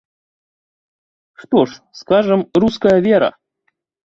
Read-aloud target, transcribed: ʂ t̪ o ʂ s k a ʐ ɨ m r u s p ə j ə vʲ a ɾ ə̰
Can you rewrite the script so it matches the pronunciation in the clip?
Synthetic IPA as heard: ʂ t̪ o ʂ s k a ʐ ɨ m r u s k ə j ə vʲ e ɾ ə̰